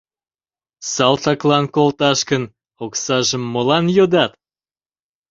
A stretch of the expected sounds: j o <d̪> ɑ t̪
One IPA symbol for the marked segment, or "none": d̪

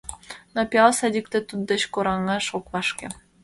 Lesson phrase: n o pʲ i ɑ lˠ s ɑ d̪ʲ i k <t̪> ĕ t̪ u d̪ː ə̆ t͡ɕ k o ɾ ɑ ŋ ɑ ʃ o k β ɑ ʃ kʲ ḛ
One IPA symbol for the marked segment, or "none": t̪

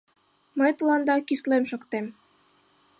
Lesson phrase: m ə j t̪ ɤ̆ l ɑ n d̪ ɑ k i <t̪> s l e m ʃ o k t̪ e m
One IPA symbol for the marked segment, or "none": none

